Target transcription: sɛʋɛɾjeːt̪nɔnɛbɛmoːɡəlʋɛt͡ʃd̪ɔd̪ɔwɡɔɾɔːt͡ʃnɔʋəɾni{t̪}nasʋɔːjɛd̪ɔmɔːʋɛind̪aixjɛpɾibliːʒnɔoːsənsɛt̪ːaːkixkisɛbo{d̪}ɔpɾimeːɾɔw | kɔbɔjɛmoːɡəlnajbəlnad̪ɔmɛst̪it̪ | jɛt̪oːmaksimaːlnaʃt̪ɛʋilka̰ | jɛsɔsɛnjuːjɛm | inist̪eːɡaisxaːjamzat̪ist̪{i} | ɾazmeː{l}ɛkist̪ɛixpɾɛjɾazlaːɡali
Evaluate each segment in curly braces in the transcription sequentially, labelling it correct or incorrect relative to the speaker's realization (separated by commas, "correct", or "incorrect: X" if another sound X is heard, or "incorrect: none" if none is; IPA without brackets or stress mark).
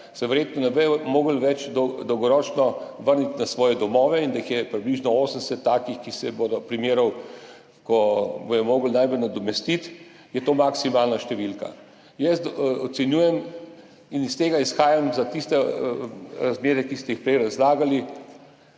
correct, correct, incorrect: ɛ, incorrect: ɾ